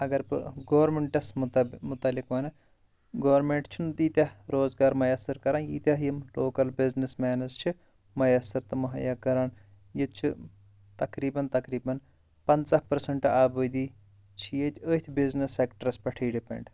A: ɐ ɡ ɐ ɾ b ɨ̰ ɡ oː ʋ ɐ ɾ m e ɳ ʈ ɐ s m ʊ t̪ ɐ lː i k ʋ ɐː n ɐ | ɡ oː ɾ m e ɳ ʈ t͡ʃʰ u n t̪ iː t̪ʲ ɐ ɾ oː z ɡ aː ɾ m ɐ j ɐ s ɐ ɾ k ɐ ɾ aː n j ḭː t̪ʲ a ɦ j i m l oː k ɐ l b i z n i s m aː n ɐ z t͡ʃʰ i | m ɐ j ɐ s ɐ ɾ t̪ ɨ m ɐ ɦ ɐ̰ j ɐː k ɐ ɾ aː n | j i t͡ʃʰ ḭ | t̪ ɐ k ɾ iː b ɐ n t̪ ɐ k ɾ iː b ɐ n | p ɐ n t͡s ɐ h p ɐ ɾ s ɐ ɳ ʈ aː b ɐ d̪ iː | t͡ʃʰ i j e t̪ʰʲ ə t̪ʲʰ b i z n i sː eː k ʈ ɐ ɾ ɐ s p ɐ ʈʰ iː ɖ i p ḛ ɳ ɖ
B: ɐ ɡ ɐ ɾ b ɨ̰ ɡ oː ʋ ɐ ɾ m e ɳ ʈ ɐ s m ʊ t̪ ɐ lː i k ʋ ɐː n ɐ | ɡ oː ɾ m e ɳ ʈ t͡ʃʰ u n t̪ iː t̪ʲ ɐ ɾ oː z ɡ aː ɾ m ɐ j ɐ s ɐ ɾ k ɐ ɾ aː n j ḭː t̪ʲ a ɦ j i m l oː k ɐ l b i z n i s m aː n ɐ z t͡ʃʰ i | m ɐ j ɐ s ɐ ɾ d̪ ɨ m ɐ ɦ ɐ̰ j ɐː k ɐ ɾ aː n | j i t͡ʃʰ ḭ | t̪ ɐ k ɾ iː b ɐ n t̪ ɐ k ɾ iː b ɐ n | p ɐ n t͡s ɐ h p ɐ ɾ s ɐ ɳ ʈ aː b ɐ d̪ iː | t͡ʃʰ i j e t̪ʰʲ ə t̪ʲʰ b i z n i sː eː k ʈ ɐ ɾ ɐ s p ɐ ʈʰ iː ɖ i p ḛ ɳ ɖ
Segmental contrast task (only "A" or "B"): A